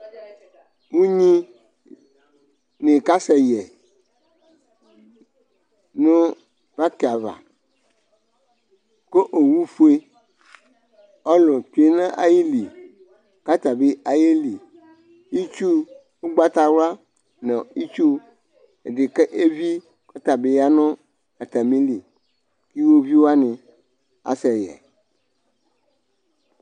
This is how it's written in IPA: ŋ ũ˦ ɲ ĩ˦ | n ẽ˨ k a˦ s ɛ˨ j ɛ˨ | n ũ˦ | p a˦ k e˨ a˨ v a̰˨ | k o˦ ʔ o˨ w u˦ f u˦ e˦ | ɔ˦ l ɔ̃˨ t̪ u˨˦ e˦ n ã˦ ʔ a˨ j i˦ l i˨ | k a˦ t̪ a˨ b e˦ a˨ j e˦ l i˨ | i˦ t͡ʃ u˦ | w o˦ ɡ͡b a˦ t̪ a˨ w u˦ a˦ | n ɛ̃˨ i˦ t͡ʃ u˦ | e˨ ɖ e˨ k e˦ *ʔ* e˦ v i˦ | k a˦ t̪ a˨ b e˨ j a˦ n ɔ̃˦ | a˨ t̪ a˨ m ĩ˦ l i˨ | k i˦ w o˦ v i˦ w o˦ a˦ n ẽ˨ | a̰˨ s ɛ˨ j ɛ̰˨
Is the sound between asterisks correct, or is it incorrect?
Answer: correct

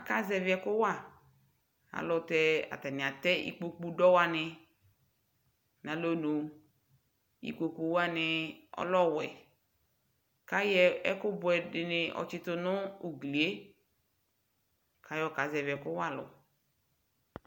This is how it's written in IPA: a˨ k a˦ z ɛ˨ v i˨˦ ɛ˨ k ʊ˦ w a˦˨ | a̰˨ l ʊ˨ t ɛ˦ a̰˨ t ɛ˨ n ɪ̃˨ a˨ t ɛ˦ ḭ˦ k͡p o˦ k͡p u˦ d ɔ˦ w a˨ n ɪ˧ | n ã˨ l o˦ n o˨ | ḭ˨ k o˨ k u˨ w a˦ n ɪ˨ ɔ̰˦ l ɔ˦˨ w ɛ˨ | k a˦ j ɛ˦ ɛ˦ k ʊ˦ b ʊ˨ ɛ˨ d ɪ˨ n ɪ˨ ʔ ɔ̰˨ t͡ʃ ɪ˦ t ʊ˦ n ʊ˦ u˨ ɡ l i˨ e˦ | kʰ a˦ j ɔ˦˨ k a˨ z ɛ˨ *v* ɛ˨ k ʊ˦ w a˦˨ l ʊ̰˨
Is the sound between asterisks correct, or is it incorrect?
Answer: correct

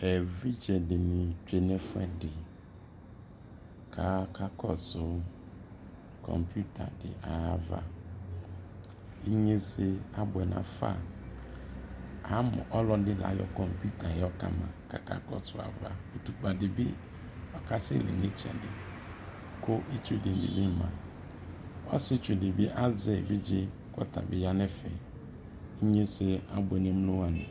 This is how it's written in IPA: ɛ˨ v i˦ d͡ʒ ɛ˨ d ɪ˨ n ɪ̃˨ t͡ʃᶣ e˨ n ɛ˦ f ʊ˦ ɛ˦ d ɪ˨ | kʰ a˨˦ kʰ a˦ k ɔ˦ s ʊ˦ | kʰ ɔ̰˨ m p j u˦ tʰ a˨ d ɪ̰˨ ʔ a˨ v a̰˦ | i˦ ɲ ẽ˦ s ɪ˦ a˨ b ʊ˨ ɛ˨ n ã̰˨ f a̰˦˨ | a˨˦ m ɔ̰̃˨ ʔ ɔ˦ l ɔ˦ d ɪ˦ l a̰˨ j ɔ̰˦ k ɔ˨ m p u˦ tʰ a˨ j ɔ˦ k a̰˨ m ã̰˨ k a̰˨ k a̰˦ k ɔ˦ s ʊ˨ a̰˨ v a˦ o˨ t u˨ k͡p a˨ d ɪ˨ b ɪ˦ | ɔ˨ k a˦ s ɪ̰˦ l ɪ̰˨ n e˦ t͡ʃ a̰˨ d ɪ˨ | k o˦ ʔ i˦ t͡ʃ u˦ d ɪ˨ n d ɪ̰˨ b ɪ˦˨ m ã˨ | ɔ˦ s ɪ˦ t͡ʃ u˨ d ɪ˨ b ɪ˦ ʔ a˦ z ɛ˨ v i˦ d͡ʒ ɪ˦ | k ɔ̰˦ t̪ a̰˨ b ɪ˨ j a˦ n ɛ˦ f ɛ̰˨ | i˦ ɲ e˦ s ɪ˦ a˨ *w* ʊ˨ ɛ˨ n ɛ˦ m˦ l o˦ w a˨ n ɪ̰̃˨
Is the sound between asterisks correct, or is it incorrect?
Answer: incorrect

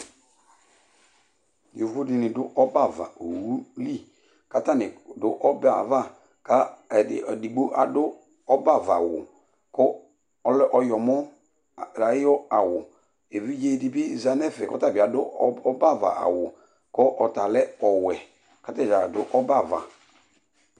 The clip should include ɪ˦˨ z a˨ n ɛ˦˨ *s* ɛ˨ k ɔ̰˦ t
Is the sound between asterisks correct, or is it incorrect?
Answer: incorrect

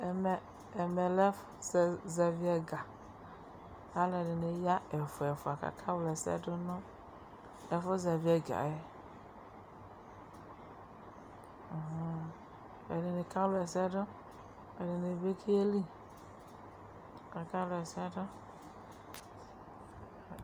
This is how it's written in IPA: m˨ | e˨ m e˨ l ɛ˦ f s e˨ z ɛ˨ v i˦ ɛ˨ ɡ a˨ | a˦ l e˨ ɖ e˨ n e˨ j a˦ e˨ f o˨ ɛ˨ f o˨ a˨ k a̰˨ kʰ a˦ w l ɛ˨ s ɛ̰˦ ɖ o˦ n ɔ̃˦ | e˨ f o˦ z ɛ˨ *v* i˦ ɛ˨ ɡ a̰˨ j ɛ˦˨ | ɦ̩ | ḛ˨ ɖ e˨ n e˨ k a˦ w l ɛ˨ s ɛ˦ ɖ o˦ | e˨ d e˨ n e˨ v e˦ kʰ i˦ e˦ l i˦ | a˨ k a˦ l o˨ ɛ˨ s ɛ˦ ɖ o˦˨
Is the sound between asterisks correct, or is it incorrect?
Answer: correct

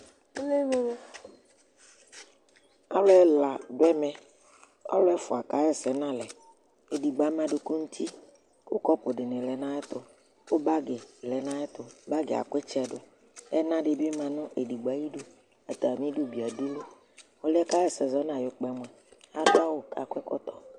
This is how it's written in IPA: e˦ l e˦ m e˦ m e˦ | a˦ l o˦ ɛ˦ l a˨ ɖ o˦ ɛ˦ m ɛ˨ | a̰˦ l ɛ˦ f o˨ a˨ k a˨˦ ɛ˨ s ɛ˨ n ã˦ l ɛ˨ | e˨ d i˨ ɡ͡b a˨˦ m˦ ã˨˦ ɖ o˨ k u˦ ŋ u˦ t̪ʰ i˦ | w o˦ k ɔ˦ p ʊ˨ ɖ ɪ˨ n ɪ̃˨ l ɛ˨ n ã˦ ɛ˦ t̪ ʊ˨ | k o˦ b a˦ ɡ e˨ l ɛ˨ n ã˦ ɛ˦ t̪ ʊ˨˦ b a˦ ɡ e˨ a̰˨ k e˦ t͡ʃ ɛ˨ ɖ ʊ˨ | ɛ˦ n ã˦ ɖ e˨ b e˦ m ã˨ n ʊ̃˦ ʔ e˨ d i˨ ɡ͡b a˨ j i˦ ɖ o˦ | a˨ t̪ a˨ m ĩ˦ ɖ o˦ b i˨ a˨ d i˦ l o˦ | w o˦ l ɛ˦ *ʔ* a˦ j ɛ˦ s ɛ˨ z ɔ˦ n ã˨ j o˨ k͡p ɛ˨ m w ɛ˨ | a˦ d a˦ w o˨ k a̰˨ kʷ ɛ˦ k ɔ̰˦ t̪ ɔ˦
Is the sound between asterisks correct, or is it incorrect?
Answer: incorrect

